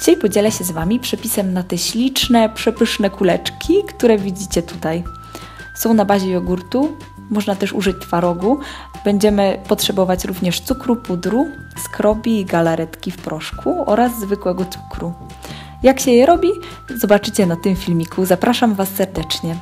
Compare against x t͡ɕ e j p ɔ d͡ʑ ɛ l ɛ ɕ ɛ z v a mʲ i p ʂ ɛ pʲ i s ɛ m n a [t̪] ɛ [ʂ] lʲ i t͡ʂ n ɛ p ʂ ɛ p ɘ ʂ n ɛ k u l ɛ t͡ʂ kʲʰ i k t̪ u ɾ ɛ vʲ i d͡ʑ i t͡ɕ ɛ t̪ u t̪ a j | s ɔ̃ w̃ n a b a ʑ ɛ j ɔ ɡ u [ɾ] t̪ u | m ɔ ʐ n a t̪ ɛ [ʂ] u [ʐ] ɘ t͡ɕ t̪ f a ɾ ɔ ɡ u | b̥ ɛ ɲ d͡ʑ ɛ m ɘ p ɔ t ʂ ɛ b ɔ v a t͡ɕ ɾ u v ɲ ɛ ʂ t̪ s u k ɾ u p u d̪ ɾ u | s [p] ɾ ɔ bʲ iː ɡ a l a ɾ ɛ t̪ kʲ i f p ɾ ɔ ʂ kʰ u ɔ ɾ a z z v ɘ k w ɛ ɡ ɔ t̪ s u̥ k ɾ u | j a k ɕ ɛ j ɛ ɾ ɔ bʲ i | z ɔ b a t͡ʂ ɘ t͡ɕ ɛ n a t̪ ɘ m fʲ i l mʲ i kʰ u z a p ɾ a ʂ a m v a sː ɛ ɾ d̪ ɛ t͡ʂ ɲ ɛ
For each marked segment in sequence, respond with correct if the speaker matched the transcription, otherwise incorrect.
correct, incorrect: ɕ, correct, correct, correct, incorrect: k

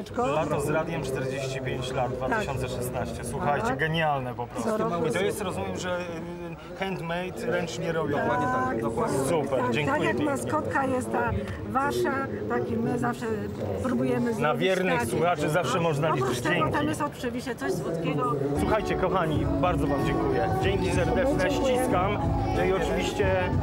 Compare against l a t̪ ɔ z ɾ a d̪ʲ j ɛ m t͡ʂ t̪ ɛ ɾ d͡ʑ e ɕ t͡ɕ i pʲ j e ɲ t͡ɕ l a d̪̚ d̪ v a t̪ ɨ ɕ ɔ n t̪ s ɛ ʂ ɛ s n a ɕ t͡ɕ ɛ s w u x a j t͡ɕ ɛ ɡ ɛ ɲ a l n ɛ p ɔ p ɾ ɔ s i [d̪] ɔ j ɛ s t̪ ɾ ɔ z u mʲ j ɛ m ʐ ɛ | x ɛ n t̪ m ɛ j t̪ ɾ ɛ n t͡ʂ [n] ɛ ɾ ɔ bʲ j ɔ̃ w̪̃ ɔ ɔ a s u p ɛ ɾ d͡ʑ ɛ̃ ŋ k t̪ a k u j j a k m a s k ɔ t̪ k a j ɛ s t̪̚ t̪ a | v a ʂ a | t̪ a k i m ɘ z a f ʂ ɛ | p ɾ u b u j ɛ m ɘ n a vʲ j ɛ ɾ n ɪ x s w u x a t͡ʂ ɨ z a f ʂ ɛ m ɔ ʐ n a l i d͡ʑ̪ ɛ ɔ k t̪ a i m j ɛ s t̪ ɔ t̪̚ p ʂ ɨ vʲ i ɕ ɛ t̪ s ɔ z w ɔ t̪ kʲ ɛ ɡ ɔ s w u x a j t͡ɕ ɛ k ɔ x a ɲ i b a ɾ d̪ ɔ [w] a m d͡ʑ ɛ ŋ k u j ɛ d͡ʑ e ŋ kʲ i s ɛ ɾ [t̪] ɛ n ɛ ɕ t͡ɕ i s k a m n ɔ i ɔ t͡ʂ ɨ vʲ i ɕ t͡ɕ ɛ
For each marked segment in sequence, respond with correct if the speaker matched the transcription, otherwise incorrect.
incorrect: t̪, incorrect: ɲ, incorrect: v, incorrect: d̪

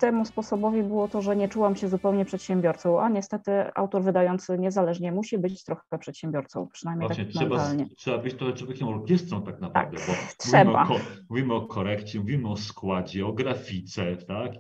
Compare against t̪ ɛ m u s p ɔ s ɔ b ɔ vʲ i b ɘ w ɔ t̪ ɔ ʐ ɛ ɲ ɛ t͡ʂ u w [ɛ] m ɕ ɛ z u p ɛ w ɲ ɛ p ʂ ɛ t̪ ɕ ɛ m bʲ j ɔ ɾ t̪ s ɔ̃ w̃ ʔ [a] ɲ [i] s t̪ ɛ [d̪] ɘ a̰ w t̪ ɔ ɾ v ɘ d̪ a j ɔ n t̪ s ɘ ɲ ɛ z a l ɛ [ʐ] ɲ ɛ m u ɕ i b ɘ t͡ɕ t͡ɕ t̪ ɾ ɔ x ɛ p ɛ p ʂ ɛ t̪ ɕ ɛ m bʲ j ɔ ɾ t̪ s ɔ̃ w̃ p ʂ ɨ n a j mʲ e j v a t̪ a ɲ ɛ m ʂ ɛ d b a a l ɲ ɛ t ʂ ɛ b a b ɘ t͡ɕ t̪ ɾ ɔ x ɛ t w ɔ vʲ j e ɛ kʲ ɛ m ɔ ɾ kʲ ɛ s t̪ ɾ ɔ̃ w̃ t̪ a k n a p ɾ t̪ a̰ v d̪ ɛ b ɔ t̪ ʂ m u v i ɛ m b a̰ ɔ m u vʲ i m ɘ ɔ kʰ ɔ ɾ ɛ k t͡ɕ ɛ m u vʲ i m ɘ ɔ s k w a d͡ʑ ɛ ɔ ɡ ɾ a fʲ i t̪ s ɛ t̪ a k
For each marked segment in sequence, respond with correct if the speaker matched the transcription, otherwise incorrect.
incorrect: a, correct, incorrect: ɛ, incorrect: t̪, correct

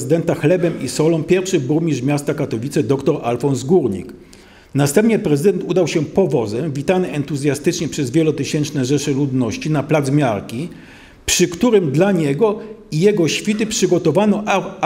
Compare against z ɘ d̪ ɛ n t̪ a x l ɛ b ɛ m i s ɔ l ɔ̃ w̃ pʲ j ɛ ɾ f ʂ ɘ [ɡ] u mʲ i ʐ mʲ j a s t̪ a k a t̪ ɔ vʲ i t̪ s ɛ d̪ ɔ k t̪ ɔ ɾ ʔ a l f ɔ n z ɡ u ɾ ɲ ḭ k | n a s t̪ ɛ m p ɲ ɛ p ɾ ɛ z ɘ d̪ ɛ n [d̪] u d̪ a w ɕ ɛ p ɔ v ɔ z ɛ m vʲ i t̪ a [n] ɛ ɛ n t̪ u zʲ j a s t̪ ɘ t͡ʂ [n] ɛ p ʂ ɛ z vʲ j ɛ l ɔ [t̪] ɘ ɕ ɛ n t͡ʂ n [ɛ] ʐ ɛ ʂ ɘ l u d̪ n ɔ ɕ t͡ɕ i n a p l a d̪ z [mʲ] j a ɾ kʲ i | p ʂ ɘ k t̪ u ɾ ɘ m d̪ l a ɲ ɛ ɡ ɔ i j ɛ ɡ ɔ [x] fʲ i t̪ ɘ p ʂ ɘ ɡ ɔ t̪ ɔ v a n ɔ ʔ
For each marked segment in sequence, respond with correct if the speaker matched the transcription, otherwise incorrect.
incorrect: b, incorrect: t̪, correct, incorrect: ɲ, correct, correct, correct, incorrect: ɕ

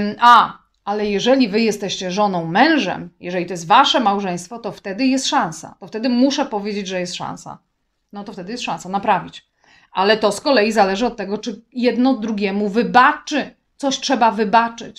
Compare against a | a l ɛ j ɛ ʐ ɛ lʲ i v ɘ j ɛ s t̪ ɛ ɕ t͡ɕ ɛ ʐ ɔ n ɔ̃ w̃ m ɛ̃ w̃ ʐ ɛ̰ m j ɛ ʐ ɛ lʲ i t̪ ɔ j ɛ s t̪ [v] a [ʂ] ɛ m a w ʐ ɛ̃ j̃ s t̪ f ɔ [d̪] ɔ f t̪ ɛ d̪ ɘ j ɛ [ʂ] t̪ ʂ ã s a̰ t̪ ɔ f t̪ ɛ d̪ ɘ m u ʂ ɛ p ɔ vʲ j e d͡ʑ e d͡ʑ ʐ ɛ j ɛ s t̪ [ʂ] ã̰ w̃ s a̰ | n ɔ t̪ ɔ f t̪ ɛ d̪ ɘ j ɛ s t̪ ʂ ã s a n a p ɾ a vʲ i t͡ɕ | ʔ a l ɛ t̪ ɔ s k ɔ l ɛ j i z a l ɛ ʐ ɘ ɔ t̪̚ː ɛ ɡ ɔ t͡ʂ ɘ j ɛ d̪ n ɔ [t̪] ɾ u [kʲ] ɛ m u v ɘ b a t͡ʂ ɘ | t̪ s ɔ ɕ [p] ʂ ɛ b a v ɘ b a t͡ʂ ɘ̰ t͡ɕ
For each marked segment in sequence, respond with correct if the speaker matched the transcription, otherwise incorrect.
correct, correct, incorrect: t̪, incorrect: s, correct, incorrect: d̪, incorrect: ɡʲ, incorrect: t

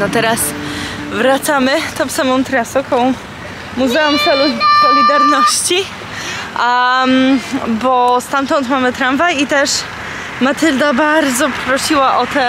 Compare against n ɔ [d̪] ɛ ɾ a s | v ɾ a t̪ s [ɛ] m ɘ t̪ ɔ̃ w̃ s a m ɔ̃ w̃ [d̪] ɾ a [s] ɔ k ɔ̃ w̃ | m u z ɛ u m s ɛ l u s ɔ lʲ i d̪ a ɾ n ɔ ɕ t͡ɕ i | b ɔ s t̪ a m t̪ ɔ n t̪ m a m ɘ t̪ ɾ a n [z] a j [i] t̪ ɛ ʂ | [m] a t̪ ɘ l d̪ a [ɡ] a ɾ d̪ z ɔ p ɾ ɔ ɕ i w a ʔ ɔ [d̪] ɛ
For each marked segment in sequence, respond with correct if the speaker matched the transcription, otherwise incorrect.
incorrect: t̪, incorrect: a, incorrect: t̪, correct, incorrect: v, correct, correct, incorrect: b, incorrect: t̪

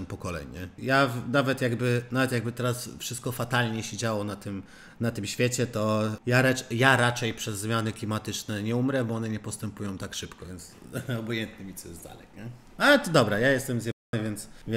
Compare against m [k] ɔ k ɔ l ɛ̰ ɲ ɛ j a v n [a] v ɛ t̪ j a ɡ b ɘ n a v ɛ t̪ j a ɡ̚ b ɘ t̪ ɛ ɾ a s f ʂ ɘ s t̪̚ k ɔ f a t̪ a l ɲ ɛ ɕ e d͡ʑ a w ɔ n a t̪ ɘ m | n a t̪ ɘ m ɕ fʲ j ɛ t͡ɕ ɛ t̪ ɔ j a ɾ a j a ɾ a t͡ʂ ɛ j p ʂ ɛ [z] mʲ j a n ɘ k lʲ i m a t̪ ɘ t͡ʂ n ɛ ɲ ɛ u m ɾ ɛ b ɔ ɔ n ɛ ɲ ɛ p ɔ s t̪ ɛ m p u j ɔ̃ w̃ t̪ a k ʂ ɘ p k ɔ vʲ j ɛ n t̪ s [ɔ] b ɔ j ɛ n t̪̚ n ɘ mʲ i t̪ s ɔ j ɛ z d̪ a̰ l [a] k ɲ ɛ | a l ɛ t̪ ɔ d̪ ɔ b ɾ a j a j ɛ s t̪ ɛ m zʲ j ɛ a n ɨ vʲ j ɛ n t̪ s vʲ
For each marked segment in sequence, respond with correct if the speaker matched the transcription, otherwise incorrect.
incorrect: p, correct, incorrect: zː, correct, incorrect: ɛ

